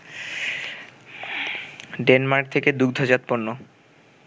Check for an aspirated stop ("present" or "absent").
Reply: present